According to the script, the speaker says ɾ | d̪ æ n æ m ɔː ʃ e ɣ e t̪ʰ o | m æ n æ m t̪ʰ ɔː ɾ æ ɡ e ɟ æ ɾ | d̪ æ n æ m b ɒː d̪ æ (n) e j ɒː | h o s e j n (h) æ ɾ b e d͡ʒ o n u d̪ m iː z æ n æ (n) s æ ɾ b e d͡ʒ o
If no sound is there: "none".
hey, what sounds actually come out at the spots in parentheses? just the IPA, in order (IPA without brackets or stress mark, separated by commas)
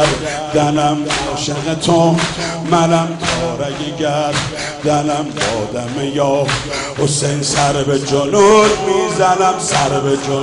m, s, m